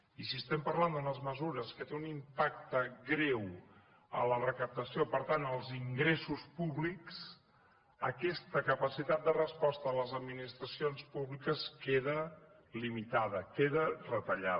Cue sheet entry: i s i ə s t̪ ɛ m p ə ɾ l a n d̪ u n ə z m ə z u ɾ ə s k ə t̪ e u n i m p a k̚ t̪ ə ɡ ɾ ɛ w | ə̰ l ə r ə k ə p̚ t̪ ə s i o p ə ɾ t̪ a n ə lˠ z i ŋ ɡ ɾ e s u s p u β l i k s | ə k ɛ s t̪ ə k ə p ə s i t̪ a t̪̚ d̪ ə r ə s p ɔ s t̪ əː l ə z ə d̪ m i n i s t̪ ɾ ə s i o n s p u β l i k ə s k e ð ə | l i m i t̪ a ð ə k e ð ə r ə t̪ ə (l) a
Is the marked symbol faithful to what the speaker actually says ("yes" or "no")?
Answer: no